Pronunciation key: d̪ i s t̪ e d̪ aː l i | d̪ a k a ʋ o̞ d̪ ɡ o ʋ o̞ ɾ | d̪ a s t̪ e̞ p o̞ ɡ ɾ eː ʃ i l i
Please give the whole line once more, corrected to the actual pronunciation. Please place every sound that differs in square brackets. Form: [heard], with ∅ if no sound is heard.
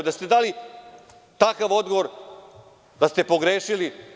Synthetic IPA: d̪ [a] s t̪ e d̪ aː l i | [t̪] a k a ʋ o̞ d̪ ɡ o ʋ o̞ ɾ | d̪ a s t̪ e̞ p o̞ ɡ ɾ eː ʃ i l i